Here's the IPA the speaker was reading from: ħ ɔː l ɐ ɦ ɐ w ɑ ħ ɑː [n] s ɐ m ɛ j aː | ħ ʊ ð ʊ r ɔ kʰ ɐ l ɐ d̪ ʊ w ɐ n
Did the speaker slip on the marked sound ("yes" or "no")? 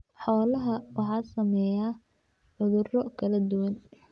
yes